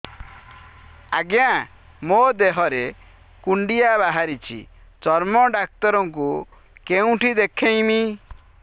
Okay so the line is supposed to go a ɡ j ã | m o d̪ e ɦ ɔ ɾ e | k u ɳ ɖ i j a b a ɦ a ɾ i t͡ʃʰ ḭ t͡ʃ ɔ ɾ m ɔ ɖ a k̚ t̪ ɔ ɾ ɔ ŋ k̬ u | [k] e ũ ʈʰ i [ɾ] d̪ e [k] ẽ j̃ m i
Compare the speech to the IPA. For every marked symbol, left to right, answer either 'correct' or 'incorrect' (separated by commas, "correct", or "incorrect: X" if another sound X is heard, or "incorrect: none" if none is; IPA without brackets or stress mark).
correct, incorrect: none, incorrect: kʰ